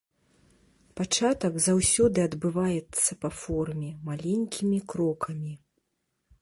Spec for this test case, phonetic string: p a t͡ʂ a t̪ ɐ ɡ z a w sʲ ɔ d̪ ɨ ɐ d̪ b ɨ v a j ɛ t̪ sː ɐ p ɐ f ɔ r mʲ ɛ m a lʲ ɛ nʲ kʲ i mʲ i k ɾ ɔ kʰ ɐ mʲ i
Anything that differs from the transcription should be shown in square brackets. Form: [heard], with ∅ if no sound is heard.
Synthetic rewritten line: p a t͡ʂ a t̪ ɐ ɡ z a w sʲ ɔ d̪ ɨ ɐ d̪ b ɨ v a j ɛ t̪ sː ɐ p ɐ f ɔ r mʲ ɛ m a lʲ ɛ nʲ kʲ i mʲ i k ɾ ɔ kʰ ɐ mʲ i